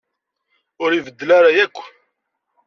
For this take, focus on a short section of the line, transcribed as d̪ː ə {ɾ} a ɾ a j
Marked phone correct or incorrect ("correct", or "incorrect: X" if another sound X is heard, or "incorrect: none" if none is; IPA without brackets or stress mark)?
incorrect: l